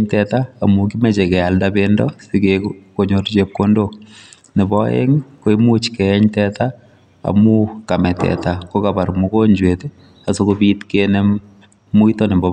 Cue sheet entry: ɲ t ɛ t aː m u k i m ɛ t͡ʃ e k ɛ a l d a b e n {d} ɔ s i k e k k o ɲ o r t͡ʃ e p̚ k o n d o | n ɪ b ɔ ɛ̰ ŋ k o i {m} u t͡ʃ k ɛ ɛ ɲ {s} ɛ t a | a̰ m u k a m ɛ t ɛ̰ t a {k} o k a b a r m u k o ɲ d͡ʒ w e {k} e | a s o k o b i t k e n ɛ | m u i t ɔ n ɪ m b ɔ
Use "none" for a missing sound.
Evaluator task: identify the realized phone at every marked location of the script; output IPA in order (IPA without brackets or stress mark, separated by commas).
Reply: d, m, t, k, t